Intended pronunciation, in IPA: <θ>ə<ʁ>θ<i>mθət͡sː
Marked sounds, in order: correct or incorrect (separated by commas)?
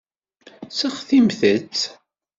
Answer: incorrect, incorrect, correct